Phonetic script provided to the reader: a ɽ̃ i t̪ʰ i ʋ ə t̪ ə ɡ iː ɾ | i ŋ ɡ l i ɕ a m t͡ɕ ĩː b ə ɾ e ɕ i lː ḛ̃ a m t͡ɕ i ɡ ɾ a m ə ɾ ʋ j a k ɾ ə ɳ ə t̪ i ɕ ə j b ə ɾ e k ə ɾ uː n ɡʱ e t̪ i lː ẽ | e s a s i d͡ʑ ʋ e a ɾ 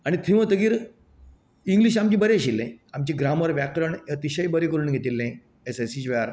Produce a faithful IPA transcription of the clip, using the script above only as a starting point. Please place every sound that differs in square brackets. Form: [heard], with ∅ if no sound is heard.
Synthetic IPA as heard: a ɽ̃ i t̪ʰ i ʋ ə t̪ ə ɡ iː ɾ | i ŋ ɡ l i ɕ a m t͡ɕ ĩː b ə ɾ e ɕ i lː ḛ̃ a m t͡ɕ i ɡ ɾ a m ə ɾ ʋ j a k ɾ ə ɳ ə t̪ i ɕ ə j b ə ɾ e k ə ɾ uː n ɡʱ e t̪ i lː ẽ | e s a s i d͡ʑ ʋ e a ɾ